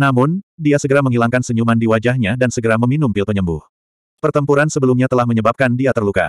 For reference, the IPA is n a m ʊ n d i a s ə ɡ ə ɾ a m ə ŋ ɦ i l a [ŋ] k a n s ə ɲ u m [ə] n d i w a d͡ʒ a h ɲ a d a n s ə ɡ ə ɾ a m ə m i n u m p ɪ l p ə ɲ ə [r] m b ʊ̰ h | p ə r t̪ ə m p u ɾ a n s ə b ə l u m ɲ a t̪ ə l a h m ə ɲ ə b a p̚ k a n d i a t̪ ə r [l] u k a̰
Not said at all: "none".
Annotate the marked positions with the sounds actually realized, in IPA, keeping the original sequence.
ŋ, a, none, l

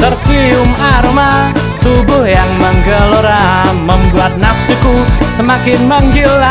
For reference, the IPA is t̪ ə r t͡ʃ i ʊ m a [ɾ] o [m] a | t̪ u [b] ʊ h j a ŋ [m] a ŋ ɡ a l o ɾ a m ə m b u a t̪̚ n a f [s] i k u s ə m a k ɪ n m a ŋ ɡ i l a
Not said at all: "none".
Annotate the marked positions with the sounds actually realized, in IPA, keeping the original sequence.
ɾ, m, b, m, s

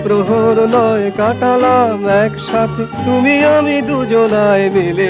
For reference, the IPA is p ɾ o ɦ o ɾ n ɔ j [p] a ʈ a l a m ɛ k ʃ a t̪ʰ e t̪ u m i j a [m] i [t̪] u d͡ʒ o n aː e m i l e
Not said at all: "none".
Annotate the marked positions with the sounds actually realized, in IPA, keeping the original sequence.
k, m, d̪

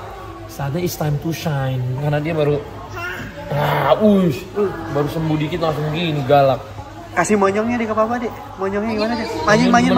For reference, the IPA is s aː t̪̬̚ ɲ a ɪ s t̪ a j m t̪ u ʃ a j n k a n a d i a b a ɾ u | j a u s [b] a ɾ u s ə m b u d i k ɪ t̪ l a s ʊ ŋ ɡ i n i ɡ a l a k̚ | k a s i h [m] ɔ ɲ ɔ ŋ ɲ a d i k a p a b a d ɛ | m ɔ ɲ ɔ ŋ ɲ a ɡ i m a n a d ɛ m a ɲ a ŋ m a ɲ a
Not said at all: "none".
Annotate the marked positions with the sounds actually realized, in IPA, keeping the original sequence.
b, m

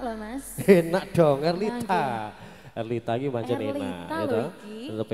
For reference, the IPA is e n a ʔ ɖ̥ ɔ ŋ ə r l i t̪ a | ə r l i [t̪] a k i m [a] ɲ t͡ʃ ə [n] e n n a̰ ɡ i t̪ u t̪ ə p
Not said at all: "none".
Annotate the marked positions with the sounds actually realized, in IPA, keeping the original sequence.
t̪, a, n

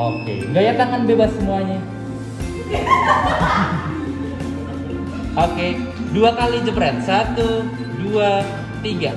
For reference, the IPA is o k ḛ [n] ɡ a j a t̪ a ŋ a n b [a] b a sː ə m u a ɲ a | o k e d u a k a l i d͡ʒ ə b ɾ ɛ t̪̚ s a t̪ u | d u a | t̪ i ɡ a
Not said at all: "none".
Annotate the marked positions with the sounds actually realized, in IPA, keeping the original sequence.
ŋ, e

